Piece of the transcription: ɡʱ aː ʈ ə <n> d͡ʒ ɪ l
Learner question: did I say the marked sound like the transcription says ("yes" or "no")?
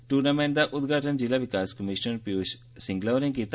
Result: yes